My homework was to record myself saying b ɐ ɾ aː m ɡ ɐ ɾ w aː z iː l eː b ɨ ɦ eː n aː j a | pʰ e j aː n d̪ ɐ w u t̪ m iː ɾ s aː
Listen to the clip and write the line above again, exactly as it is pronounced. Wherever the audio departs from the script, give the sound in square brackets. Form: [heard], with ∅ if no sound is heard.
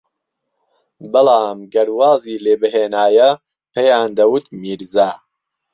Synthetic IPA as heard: b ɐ [l] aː m ɡ ɐ ɾ w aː z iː l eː b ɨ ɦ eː n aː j [ɐ] | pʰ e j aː n d̪ ɐ w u t̪ m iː ɾ [z] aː